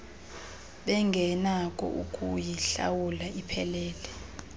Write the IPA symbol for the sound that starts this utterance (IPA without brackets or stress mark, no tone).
ɓ